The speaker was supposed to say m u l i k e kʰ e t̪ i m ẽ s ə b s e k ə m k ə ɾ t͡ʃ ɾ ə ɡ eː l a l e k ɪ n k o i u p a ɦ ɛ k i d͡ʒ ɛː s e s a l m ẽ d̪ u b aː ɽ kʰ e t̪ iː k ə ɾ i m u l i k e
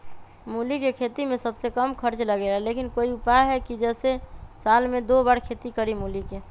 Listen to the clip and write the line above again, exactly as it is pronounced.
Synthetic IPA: m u l i k e kʰ e t̪ i m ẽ s ə b s e k ə m kʰ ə ɾ t͡ʃ l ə ɡ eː l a l e k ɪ n k o i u p a ɦ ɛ k i d͡ʒ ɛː s e s a l m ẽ d̪ o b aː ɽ kʰ e t̪ i k ə ɾ i m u l i k e